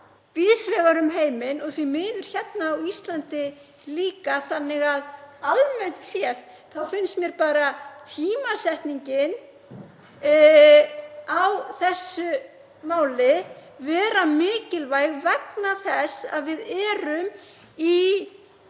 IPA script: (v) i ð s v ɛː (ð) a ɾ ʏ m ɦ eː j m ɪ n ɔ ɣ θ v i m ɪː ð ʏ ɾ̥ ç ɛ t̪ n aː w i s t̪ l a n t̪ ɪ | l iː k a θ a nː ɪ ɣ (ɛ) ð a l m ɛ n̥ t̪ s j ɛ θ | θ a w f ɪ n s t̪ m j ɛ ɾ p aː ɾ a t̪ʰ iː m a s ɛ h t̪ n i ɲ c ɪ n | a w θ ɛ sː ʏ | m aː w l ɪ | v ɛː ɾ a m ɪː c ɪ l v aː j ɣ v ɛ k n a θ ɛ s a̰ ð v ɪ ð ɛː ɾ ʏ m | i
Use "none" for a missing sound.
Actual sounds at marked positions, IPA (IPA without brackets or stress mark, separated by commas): v, ɣ, a